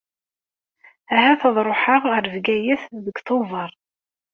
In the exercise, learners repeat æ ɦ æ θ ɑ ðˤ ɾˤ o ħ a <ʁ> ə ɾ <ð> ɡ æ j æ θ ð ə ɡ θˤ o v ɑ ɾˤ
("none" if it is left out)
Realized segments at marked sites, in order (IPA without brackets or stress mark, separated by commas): ʁ, v